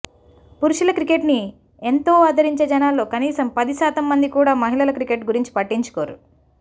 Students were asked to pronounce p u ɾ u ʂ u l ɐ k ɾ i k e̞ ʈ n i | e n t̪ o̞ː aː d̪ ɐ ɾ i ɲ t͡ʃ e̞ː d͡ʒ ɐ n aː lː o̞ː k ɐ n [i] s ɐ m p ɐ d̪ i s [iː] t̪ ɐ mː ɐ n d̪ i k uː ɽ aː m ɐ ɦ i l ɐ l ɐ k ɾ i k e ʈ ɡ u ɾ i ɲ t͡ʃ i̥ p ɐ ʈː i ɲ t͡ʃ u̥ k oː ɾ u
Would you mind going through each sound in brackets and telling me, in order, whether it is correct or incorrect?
incorrect: iː, incorrect: aː

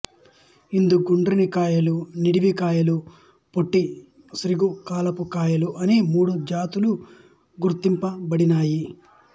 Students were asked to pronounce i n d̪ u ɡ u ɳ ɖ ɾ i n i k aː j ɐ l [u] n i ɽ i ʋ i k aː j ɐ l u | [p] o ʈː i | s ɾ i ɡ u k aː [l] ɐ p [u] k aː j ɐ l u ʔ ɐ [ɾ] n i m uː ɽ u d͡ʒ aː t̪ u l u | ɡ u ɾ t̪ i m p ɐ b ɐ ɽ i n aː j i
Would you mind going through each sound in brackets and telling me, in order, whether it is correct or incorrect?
correct, correct, correct, correct, incorrect: none

